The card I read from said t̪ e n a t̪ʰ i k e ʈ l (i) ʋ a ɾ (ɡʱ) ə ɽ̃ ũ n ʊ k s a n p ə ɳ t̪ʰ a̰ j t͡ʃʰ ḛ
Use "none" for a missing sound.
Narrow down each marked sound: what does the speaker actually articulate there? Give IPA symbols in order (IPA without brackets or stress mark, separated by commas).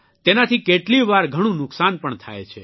i, ɡʱ